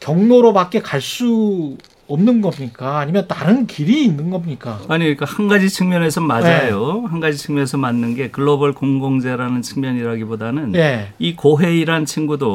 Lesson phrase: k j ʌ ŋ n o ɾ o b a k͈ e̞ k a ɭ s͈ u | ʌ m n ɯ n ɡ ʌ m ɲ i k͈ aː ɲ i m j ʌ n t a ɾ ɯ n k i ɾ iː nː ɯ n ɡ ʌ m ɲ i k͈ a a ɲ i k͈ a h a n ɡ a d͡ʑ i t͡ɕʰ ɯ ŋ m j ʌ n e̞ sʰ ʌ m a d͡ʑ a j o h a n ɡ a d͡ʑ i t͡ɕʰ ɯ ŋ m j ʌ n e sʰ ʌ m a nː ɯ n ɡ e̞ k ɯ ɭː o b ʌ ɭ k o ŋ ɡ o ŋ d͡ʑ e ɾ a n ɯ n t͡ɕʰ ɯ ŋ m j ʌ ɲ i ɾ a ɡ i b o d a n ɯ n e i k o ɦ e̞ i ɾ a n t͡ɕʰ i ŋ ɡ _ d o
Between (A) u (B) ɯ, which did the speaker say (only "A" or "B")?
A